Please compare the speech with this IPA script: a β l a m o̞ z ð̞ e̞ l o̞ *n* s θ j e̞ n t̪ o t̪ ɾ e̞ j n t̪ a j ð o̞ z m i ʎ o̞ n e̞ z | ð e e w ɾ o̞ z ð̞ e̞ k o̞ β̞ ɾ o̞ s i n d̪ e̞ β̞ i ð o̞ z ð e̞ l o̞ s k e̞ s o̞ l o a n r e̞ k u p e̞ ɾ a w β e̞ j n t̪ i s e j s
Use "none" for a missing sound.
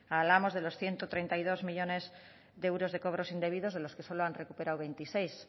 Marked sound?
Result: none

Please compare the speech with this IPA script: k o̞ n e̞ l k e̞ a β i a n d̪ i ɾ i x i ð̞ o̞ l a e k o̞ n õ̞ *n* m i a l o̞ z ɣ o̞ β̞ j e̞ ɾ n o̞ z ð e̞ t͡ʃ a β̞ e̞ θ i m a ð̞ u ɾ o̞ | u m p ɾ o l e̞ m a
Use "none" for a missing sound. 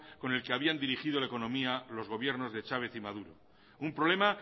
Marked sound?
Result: none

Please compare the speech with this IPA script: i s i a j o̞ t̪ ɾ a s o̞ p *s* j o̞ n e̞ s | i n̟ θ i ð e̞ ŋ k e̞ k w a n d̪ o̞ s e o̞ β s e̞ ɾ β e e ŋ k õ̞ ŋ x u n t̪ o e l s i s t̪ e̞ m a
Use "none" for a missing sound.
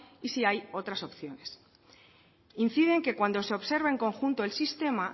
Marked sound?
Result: θ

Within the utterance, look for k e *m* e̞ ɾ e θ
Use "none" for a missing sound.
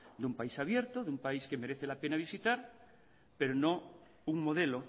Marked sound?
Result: m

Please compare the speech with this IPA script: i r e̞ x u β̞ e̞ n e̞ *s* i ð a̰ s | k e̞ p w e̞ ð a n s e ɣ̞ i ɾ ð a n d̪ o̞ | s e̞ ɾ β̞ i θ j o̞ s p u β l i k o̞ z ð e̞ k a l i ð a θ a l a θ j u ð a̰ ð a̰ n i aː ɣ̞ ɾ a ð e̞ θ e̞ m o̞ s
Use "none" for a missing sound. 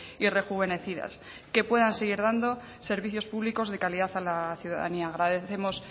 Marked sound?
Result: θ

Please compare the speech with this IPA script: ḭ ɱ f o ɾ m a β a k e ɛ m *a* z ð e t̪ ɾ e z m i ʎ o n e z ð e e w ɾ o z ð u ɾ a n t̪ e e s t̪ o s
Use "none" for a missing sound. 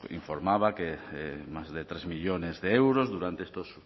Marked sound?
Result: a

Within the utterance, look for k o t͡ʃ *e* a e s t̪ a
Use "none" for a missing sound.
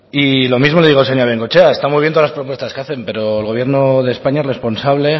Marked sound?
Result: e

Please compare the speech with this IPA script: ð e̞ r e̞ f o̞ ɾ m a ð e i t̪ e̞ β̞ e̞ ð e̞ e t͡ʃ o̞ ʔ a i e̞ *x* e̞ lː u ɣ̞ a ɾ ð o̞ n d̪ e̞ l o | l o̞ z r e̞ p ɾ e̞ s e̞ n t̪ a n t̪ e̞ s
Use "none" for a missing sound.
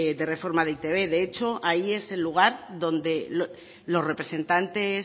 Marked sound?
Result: s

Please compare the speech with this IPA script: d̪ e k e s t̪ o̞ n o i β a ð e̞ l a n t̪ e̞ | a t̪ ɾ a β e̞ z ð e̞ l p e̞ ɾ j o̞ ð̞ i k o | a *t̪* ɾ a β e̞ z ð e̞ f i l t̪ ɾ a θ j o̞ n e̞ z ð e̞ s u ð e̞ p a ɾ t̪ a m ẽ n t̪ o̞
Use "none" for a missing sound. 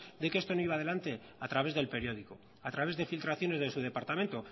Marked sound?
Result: t̪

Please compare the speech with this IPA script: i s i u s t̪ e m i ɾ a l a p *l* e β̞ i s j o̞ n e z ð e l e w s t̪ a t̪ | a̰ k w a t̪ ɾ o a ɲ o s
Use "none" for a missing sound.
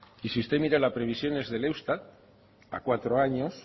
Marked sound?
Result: ɾ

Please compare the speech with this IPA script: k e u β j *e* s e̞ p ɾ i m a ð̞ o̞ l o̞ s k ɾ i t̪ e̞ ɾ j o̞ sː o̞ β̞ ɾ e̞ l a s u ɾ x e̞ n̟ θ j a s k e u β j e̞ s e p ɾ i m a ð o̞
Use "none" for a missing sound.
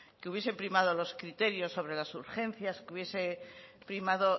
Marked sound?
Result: e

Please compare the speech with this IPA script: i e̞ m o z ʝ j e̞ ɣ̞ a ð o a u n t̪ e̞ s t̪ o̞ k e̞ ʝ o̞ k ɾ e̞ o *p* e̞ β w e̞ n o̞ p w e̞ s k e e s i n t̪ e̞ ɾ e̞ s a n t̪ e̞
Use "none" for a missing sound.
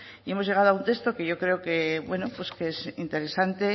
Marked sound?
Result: k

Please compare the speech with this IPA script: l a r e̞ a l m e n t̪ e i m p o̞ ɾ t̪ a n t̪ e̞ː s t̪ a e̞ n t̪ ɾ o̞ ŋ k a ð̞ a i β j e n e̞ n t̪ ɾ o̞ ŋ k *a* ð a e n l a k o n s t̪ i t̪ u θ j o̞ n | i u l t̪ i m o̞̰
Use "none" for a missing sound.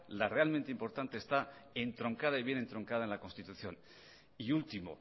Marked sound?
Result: a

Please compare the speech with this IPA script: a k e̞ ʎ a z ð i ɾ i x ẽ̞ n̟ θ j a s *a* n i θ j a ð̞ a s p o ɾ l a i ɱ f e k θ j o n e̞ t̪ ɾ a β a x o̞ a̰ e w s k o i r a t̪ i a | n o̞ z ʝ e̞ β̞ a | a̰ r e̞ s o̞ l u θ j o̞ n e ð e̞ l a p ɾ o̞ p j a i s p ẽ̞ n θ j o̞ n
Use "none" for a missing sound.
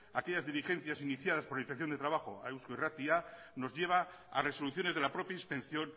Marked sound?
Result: i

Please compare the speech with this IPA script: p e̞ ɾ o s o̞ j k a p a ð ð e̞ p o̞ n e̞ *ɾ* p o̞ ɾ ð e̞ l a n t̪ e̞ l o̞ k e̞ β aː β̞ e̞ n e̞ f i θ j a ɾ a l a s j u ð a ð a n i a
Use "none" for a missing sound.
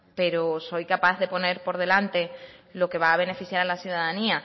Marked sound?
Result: ɾ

